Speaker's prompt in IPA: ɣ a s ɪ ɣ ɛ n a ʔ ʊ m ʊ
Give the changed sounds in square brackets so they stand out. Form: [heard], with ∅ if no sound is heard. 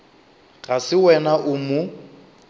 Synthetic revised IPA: ɣ a s ɪ [w] ɛ n a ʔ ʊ m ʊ